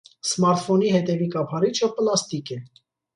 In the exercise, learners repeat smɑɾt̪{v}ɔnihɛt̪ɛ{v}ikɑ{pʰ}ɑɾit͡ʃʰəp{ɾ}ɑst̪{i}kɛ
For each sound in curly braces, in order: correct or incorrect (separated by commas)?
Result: incorrect, correct, correct, incorrect, correct